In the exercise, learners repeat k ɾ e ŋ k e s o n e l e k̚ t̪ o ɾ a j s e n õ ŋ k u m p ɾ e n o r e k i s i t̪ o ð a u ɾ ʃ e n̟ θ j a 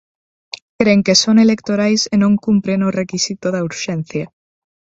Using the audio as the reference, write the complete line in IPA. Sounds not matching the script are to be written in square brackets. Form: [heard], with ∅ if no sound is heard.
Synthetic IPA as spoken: k ɾ e ŋ k e s o n e l e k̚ t̪ o ɾ a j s e n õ ŋ k u m p ɾ e n o r e k i s i t̪ o ð a u ɾ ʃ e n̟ θ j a